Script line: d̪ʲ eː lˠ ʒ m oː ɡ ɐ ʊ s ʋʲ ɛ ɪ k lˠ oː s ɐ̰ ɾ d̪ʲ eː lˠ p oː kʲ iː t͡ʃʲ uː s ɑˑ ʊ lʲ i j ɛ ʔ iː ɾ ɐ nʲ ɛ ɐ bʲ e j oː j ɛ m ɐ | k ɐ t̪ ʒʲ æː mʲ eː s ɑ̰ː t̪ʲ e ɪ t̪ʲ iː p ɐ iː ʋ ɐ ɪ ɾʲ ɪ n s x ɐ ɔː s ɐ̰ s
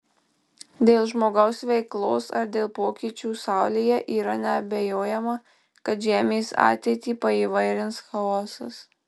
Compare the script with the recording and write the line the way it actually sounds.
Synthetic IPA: d̪ʲ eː lˠ ʒ m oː ɡ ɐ ʊ s ʋʲ ɛ ɪ k lˠ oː s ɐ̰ ɾ d̪ʲ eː lˠ p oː kʲ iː t͡ʃʲ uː s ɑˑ ʊ lʲ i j ɛ ʔ iː ɾ ɐ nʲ ɛ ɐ bʲ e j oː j ɛ m ɐ | k ɐ t̪ ʒʲ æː mʲ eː s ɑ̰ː t̪ʲ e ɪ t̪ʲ iː p ɐ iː ʋ ɐ ɪ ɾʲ ɪ n s x ɐ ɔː s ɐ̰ s